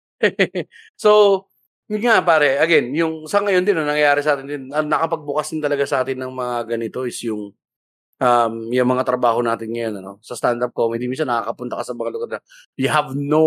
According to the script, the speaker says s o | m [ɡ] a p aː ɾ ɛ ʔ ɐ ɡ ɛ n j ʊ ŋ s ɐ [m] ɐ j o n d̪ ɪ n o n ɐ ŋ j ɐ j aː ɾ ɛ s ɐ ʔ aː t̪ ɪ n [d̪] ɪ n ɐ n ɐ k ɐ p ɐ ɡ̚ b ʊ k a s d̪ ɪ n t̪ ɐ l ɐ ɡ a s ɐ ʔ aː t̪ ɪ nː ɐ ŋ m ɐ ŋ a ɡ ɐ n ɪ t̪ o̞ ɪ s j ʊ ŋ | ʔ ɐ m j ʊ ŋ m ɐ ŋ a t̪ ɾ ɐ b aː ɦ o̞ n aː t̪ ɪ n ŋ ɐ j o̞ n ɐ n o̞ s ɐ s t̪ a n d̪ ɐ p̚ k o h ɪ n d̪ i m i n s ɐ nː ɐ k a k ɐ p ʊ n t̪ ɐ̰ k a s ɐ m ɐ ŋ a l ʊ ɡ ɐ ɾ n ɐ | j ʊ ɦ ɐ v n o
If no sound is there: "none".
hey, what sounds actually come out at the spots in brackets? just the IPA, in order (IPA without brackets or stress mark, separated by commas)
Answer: ŋ, ŋ, d̪